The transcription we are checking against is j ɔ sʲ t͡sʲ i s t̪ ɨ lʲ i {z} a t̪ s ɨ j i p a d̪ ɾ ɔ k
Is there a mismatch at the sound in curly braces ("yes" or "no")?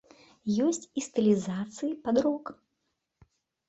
no